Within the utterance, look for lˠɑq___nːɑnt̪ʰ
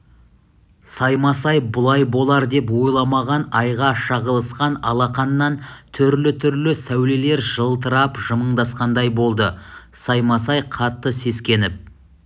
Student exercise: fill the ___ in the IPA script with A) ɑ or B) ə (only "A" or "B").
A